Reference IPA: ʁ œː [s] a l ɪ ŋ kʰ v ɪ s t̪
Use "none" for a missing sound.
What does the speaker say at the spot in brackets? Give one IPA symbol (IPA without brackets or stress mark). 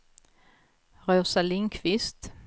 s